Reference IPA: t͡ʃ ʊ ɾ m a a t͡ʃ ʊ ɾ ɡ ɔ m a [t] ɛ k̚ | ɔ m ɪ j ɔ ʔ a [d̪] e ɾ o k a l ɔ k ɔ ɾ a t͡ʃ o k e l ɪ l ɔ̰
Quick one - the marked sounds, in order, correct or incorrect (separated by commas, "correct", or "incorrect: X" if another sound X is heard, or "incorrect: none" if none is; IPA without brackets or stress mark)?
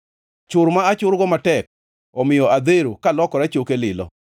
correct, correct